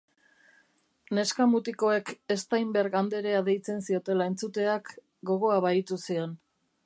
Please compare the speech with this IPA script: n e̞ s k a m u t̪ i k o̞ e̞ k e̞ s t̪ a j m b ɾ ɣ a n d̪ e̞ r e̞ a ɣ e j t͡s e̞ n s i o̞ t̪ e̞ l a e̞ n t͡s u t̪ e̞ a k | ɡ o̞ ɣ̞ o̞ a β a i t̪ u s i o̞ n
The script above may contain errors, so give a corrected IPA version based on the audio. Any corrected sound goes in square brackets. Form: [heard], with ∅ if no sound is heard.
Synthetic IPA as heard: n e̞ s k a m u t̪ i k o̞ e̞ k e̞ s t̪ a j m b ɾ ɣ a n d̪ e̞ [ɾ] e̞ a [ð] e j t͡s e̞ n s i o̞ t̪ e̞ l a e̞ n t͡s u t̪ e̞ a k | ɡ o̞ ɣ̞ o̞ a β a i t̪ u s i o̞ n